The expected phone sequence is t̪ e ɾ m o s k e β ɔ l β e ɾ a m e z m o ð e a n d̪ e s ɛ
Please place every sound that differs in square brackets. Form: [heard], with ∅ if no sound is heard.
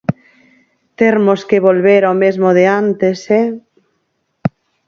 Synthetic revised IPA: t̪ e ɾ m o s k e β [o] l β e ɾ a m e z m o ð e a n [t̪] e s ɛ